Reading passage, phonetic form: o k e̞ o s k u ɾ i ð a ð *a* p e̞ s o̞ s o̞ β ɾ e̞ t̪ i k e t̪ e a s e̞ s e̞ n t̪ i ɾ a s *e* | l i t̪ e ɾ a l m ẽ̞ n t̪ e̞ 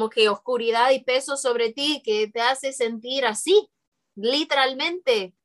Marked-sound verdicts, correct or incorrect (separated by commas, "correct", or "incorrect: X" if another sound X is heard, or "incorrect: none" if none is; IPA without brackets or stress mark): incorrect: i, incorrect: i